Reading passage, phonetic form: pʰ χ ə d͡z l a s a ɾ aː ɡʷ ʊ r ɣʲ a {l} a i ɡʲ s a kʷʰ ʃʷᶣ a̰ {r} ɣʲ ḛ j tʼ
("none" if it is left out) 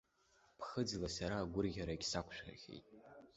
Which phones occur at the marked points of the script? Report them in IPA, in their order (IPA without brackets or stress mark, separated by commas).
ɾ, r